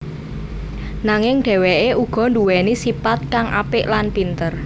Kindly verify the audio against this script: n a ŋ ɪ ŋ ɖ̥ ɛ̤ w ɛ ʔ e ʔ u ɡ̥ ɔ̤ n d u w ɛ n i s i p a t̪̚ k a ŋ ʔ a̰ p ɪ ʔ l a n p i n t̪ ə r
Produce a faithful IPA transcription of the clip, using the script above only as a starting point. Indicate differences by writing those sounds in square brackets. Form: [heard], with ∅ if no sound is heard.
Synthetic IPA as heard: n a ŋ ɪ ŋ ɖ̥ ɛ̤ w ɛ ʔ e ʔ u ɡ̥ ɔ̤ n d u w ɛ n i s i p a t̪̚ k a ŋ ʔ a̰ p ɪ ʔ l a n p i n t̪ ə r